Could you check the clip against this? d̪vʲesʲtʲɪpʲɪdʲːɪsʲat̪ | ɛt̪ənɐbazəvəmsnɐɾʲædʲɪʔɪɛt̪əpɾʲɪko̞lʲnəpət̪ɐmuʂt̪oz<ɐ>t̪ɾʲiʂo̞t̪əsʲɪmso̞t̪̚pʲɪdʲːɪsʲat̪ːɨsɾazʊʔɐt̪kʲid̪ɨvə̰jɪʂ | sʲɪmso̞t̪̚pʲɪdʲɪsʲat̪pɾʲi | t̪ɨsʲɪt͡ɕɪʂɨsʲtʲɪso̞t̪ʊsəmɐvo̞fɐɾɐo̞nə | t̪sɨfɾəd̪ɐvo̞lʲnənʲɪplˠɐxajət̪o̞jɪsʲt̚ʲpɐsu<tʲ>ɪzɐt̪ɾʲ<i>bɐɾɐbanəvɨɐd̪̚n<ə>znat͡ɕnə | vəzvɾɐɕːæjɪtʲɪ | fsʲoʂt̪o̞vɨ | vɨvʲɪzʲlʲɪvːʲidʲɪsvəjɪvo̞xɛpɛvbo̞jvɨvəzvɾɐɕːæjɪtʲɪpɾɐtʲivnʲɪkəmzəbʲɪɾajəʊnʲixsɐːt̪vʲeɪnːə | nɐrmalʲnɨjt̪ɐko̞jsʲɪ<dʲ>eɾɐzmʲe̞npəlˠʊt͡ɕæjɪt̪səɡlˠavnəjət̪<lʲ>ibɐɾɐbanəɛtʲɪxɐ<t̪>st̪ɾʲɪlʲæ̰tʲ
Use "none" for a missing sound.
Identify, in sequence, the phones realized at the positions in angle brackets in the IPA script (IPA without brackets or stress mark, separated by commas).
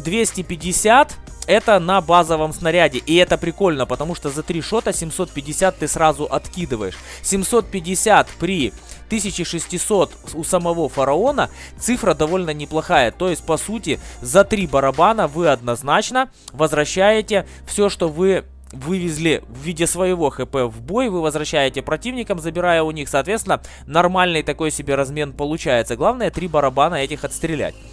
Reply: ɐ, tʲ, i, ɐ, bʲ, ɾʲ, t̪